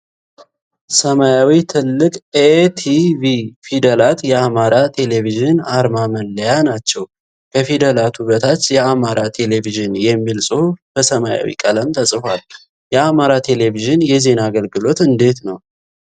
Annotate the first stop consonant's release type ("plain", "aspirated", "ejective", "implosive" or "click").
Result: aspirated